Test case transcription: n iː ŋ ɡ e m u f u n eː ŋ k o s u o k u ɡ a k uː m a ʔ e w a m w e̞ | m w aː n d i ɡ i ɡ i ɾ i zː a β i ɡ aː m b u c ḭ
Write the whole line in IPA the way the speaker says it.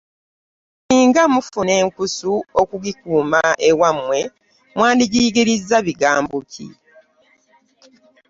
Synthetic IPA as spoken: n iː ŋ ɡ a m u f u n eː ŋ k u s u o k u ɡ i k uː m a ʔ e w a m w e̞ | m w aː n d i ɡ i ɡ i ɾ i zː a β i ɡ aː m b u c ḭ